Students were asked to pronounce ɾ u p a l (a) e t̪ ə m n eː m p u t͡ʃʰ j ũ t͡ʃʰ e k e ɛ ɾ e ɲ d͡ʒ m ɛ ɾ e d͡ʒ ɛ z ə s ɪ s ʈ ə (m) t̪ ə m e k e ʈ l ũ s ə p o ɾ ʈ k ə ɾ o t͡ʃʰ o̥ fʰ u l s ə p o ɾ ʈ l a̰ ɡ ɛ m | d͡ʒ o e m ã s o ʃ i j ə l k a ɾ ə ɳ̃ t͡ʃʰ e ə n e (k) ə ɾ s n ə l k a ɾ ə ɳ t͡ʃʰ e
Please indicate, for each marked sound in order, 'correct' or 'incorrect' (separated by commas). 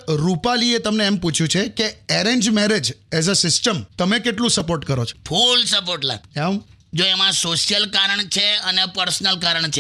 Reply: incorrect, correct, incorrect